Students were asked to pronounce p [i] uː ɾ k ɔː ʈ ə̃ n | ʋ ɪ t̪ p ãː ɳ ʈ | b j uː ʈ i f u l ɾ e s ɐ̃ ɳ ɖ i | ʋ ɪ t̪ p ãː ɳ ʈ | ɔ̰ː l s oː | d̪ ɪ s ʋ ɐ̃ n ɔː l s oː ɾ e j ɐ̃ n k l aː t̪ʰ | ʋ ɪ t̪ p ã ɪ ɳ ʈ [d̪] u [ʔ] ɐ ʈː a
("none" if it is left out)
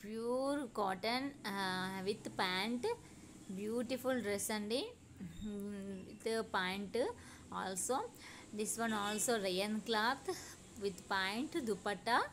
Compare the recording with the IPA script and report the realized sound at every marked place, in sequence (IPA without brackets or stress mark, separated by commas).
j, d̪, p